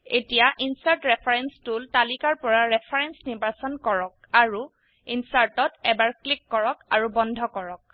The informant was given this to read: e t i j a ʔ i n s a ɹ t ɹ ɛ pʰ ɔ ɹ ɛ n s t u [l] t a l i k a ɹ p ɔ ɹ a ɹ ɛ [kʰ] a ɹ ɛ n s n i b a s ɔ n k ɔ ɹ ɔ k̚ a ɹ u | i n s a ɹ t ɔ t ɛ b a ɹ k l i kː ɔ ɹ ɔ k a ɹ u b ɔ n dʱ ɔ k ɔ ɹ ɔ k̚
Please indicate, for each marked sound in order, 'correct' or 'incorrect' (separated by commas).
correct, incorrect